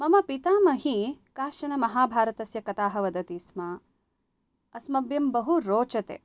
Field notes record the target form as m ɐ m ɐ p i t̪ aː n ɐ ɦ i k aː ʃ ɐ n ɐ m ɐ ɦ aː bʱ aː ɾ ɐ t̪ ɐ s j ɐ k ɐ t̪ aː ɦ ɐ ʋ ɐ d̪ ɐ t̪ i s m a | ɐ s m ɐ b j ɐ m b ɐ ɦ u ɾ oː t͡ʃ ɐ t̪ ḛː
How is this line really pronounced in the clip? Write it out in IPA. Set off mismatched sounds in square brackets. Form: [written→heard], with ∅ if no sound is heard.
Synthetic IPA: m ɐ m ɐ p i t̪ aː [n→m] ɐ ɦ i k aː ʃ ɐ n ɐ m ɐ ɦ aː bʱ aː ɾ ɐ t̪ ɐ s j ɐ k ɐ t̪ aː ɦ ɐ ʋ ɐ d̪ ɐ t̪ i s m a | ɐ s m ɐ b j ɐ m b ɐ ɦ u ɾ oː t͡ʃ ɐ t̪ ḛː